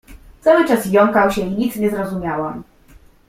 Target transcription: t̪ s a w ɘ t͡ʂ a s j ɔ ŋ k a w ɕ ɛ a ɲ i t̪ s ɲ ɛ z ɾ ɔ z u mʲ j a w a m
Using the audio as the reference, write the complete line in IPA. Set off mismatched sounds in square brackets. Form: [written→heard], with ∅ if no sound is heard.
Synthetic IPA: t̪ s a w ɘ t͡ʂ a s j ɔ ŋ k a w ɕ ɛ [a→i] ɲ i t̪ s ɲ ɛ z ɾ ɔ z u mʲ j a w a m